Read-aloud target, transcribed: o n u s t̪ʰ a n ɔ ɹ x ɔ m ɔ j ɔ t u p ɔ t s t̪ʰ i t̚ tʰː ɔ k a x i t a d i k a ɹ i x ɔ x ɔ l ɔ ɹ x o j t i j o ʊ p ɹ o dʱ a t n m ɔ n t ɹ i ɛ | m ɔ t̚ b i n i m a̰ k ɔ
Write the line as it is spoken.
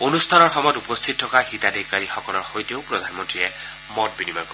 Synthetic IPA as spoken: o n u s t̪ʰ a n ɔ ɹ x ɔ m ɔ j ɔ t u p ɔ s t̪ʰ i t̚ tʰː ɔ k a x i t a d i k a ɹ i x ɔ k ɔ l ɔ ɹ x o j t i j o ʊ p ɹ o dʱ a n m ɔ n t ɹ i ɛ | m ɔ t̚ b i n i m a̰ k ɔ